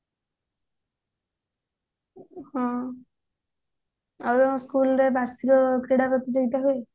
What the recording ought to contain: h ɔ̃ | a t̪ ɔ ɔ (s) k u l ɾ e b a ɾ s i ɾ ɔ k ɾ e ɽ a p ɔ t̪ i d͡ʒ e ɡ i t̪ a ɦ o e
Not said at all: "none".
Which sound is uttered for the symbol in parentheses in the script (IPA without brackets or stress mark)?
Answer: s